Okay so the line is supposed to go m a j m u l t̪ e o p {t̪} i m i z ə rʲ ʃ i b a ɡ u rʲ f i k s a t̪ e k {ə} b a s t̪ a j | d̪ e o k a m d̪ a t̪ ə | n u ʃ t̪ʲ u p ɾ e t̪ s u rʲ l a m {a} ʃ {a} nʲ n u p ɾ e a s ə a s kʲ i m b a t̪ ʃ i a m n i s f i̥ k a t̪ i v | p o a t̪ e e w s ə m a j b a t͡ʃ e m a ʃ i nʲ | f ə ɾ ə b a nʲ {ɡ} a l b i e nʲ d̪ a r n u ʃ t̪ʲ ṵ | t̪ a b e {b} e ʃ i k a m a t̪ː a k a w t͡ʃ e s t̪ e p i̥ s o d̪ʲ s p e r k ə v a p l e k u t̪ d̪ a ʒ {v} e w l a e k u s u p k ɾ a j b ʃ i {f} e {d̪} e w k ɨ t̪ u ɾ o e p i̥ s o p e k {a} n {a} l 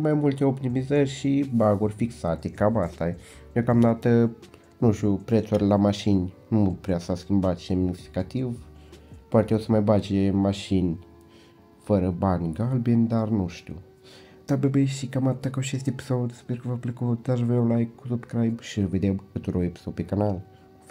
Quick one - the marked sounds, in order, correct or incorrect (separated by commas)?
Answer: correct, incorrect, correct, incorrect, correct, correct, correct, incorrect, correct, correct, correct